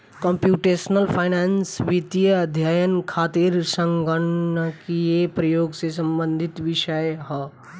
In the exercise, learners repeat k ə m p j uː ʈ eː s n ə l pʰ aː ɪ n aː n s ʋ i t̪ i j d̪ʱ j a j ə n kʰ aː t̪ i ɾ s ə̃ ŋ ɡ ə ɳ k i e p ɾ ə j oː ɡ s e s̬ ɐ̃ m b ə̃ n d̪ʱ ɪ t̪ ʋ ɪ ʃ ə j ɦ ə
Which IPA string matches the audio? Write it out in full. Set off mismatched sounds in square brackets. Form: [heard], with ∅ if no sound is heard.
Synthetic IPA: k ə m p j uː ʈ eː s n ə l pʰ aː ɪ n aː n s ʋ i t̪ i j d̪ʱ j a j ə n kʰ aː t̪ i ɾ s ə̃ ŋ ɡ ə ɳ k i e p ɾ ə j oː ɡ s e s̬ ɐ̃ m b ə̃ n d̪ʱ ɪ t̪ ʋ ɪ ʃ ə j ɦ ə